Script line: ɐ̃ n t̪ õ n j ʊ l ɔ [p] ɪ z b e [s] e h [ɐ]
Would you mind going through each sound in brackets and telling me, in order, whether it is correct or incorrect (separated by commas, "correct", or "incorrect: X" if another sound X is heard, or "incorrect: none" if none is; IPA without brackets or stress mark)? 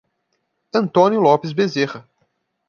correct, incorrect: z, correct